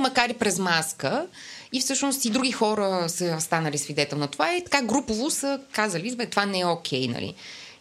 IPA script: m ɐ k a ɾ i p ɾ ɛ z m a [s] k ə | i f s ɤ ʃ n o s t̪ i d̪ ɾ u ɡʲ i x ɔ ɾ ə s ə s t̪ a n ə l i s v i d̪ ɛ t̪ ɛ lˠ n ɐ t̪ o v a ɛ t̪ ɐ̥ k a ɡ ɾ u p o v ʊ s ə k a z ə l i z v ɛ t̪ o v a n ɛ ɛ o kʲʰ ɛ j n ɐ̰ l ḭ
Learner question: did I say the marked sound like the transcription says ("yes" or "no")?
yes